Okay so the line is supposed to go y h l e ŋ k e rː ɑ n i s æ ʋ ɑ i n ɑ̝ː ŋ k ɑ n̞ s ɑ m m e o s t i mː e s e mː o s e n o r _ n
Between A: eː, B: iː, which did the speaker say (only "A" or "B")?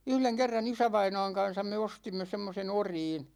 B